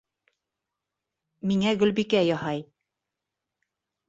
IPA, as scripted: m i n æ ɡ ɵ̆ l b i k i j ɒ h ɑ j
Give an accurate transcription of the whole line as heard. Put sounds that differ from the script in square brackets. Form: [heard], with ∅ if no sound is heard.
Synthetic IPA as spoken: m i [ŋ] æ ɡ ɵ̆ l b i k [æ] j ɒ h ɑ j